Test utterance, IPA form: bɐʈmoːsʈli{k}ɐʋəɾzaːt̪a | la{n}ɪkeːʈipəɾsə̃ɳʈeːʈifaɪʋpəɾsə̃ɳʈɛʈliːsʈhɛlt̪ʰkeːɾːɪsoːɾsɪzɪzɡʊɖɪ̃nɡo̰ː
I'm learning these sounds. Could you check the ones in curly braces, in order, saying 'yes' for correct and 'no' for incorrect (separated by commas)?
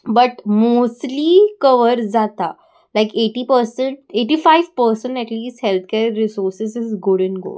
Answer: yes, no